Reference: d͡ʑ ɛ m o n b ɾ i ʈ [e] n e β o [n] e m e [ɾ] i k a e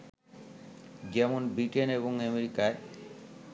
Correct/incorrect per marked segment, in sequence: correct, incorrect, correct

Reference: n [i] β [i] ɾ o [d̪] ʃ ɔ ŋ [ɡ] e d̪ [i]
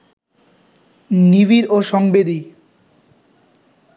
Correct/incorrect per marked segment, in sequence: correct, correct, incorrect, incorrect, correct

